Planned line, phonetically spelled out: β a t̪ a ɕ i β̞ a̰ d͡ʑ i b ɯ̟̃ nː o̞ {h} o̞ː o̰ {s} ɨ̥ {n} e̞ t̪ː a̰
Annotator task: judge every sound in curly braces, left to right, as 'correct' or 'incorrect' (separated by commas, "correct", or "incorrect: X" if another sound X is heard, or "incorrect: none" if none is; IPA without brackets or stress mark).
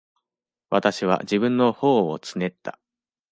correct, incorrect: t͡s, correct